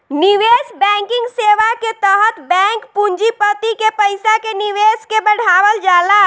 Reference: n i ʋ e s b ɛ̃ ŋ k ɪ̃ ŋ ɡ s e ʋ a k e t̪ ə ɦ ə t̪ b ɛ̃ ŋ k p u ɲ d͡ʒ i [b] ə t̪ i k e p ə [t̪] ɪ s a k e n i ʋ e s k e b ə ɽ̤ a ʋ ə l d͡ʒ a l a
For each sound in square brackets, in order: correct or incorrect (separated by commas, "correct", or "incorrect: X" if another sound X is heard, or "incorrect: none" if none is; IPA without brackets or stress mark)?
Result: incorrect: p, incorrect: none